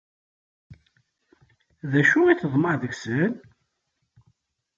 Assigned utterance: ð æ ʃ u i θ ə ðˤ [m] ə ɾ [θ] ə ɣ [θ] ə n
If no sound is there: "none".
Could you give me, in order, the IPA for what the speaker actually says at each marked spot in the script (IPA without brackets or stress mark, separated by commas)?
m, ð, s